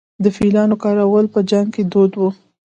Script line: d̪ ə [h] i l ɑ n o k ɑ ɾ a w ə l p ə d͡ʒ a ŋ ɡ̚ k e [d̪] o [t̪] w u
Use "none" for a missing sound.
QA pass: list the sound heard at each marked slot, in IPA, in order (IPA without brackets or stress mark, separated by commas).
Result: f, d̪, d̪